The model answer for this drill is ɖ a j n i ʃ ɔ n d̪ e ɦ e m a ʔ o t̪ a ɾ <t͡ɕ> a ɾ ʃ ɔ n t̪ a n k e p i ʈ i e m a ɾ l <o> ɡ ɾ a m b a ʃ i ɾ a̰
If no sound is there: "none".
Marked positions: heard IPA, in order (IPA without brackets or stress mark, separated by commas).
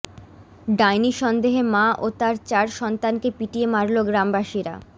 t͡ɕ, o